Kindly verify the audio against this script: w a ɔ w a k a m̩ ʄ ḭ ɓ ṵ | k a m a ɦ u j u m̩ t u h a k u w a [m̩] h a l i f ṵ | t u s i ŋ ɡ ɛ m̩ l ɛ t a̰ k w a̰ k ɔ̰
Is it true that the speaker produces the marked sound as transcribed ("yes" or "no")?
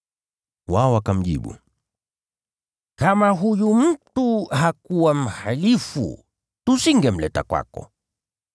yes